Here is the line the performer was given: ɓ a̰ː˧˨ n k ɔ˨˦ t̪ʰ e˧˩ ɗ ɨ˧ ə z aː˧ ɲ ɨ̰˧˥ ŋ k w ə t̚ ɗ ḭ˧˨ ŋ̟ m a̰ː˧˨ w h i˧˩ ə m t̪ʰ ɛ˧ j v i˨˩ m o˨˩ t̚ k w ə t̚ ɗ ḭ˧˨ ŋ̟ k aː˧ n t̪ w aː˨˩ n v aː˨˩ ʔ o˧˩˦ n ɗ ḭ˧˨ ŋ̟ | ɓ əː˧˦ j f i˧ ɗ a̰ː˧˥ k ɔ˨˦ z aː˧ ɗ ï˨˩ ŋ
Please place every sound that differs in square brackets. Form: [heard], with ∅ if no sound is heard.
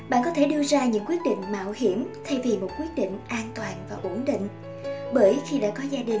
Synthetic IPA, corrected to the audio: ɓ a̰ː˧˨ n k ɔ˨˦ t̪ʰ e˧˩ ɗ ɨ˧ ə z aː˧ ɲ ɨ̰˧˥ ŋ k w ə t̚ ɗ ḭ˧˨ ŋ̟ m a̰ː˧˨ w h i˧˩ ə m t̪ʰ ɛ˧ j v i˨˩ m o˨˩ t̚ k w ə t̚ ɗ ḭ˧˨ ŋ̟ [ʔ] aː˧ n t̪ w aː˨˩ n v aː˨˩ ʔ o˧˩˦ n ɗ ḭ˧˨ ŋ̟ | ɓ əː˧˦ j [x] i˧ ɗ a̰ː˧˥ k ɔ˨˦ z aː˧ ɗ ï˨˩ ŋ